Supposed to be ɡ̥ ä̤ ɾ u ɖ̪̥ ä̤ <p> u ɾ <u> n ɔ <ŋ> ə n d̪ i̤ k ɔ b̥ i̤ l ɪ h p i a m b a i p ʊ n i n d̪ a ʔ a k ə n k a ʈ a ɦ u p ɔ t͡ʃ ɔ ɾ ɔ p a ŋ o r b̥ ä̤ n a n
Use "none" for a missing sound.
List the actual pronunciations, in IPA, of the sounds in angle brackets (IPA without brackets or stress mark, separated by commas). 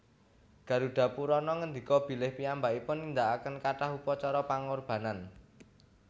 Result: p, ɔ, ŋ